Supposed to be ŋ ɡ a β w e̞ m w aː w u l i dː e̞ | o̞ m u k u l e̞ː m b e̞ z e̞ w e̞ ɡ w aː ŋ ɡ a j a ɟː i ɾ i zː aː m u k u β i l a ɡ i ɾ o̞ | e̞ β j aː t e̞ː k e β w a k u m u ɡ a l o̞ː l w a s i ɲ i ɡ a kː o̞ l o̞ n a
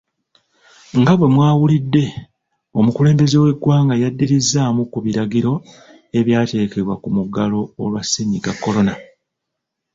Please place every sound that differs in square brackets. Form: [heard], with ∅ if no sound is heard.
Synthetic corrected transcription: ŋ ɡ a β w e̞ m w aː w u l i dː e̞ | o̞ m u k u l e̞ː m b e̞ z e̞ w e̞ ɡ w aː ŋ ɡ a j a [dː] i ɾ i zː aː m u k u β i [ɾ] a ɡ i ɾ o̞ | e̞ β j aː t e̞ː k e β w a k u m u ɡ a l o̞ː l w a s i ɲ i ɡ a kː o̞ l o̞ n a